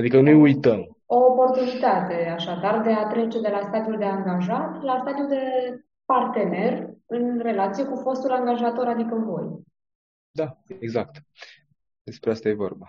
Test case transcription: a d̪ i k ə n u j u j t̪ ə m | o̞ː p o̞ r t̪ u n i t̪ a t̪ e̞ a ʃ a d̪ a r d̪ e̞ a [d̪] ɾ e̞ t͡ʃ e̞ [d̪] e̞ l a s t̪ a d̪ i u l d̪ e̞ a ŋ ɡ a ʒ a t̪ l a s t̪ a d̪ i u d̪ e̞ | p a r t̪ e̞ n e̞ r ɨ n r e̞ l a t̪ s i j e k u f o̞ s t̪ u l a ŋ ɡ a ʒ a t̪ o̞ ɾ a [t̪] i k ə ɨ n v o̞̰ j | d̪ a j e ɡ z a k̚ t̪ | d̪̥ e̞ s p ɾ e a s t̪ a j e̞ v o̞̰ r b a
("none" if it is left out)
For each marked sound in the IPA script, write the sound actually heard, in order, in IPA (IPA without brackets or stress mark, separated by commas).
t̪, d̪, d̪